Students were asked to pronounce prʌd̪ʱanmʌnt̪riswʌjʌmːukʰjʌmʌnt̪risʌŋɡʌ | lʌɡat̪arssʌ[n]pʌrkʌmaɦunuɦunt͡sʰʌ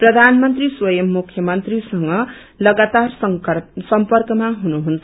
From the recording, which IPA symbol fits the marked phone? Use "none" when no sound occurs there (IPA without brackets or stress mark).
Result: m